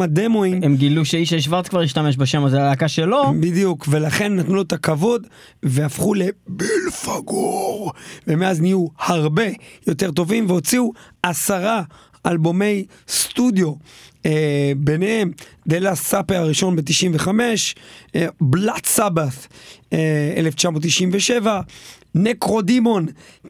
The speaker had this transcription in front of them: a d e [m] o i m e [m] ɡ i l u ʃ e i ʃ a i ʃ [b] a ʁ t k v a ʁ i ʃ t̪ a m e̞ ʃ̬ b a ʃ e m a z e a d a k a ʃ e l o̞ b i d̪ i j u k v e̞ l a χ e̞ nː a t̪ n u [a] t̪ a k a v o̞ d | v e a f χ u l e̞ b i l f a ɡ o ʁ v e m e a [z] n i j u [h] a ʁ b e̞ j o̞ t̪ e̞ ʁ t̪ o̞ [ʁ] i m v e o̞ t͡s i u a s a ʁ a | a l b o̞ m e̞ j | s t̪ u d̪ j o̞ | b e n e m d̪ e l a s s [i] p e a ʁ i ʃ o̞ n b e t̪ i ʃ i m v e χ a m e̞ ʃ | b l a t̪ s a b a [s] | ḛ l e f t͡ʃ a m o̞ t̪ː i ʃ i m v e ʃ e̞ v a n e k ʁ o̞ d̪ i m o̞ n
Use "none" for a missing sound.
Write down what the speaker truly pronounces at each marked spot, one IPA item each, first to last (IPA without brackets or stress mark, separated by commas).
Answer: m, m, v, e, z, h, v, a, θ